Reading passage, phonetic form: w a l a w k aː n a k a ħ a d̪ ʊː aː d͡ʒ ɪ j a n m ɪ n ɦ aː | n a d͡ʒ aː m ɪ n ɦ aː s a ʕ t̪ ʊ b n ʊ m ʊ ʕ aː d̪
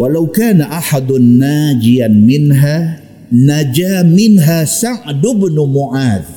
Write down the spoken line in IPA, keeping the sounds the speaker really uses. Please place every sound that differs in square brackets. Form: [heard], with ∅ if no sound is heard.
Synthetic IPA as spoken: w a l a w k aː n a [ʔ] a ħ a d̪ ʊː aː d͡ʒ ɪ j a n m ɪ n ɦ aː | n a d͡ʒ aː m ɪ n ɦ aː s a ʕ [d̪] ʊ b n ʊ m ʊ ʕ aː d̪